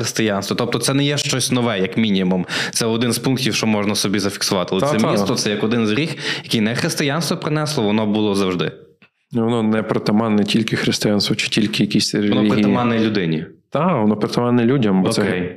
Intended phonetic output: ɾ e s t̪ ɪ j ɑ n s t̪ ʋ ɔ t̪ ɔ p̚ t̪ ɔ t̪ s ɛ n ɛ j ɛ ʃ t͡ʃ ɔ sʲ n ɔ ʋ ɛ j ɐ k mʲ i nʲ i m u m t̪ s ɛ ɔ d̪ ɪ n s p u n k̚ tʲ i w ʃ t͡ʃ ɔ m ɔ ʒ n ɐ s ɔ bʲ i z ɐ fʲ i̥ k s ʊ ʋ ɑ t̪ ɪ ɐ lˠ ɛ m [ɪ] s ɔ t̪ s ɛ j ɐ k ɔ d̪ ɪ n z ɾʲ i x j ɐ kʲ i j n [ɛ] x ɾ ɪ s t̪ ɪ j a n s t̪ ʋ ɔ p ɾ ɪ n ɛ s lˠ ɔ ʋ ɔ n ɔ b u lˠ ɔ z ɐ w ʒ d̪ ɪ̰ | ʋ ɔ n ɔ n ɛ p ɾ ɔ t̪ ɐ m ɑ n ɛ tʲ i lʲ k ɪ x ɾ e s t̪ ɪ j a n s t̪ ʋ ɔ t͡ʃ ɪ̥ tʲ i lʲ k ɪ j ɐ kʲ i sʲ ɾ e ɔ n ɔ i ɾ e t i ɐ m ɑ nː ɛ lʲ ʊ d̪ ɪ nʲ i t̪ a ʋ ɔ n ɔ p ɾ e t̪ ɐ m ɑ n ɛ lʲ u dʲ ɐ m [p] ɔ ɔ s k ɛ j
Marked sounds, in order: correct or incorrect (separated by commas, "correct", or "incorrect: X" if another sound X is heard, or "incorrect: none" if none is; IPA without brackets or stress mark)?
incorrect: i, correct, incorrect: b